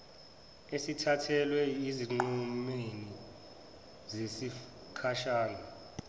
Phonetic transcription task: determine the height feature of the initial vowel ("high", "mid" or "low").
mid